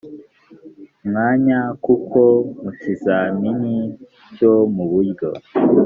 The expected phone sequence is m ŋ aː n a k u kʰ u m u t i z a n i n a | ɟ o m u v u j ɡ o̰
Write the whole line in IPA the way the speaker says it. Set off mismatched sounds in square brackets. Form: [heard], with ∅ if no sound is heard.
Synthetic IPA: m ŋ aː [ɲ] a k u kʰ [o] m u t i z a [m] i n [i] | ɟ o m u [β] u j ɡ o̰